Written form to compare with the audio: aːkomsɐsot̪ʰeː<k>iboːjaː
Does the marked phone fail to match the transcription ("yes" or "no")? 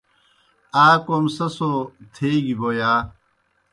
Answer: yes